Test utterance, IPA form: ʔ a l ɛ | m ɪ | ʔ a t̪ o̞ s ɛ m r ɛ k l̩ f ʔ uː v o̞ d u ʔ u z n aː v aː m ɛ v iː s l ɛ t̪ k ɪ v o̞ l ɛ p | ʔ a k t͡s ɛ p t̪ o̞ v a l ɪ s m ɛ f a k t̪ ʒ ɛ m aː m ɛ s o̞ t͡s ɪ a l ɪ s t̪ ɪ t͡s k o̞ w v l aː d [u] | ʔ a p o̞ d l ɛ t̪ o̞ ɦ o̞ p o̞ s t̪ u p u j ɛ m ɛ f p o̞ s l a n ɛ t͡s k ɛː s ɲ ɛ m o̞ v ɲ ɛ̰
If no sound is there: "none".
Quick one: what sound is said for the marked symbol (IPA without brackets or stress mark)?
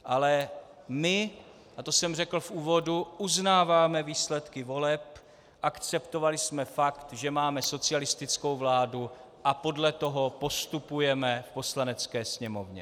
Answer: u